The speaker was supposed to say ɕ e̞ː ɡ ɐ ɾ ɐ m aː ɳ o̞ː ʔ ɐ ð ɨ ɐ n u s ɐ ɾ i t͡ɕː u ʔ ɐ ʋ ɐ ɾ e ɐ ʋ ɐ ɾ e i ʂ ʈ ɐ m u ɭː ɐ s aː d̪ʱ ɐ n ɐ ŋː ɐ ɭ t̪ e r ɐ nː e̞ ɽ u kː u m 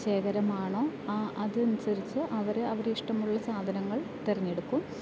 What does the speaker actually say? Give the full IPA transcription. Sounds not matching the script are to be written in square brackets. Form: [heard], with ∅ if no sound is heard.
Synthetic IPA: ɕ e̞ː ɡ ɐ ɾ ɐ m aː ɳ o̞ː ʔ ɐ ð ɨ ɐ n u s ɐ ɾ i t͡ɕː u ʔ ɐ ʋ ɐ ɾ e ɐ ʋ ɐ ɾ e i ʂ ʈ ɐ m u ɭː ɐ s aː d̪ʱ ɐ n ɐ ŋː ɐ ɭ t̪ e r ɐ [ɲː] e̞ ɽ u kː u m